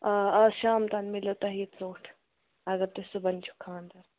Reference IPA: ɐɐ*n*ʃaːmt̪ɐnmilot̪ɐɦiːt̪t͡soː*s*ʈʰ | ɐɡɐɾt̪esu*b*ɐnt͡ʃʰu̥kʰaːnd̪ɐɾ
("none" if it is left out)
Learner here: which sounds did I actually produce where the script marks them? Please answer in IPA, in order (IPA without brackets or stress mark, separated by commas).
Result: none, none, b